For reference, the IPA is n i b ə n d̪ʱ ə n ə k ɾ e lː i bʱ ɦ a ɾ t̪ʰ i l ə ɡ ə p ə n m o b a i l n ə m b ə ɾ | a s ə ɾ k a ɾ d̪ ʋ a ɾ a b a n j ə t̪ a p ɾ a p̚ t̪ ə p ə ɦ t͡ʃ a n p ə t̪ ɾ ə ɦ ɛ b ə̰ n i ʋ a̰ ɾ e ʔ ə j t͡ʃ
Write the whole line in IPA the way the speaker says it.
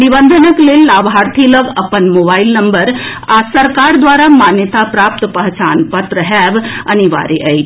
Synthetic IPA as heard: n i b ə n d̪ʱ ə n ə k l e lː a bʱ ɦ a ɾ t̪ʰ i l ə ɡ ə p ə n m o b a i l n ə m b ə ɾ | a s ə ɾ k a ɾ d̪ ʋ a ɾ a m a n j ə t̪ a p ɾ a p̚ t̪ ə p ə ɦ t͡ʃ a n p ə t̪ ɾ ə ɦ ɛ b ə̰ n i ʋ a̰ ɾ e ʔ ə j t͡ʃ